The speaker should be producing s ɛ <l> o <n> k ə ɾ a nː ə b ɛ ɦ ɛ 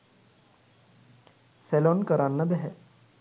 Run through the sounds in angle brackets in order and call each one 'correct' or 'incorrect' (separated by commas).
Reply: correct, correct